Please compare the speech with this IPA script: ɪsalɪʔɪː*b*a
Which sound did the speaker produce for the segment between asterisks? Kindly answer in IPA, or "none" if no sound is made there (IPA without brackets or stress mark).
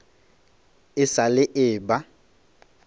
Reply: b